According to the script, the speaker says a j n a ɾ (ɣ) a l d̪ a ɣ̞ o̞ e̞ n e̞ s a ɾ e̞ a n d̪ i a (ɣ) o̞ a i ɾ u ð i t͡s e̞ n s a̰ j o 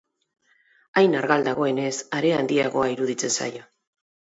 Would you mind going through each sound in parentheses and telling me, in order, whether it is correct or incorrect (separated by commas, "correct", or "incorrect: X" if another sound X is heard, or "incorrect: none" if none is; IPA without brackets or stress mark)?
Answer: correct, correct